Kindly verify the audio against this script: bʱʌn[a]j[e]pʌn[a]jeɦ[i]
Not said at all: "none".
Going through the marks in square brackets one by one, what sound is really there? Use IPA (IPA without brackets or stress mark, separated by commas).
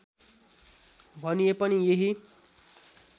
i, e, i, i